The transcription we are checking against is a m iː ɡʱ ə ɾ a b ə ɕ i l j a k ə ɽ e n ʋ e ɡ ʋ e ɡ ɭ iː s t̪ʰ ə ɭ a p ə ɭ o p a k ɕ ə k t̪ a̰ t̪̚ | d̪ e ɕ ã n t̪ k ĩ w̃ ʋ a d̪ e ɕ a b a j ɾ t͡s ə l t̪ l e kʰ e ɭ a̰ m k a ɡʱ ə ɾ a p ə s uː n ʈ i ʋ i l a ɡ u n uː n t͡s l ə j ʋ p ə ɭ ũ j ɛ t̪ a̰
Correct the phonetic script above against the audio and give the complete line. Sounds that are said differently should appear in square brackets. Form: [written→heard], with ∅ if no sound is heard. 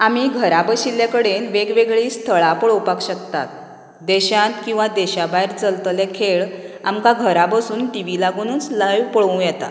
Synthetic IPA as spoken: a m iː ɡʱ ə ɾ a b ə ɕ i l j a k ə ɽ e n ʋ e ɡ ʋ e ɡ ɭ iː s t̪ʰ ə ɭ a p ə ɭ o p a k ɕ ə k t̪ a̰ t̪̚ | d̪ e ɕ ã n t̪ k ĩ w̃ ʋ a d̪ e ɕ a b a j ɾ t͡s ə l t̪ l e kʰ e ɭ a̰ m k a ɡʱ ə ɾ a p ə s uː n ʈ i ʋ i l a ɡ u n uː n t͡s l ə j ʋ p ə ɭ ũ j ɛ t̪ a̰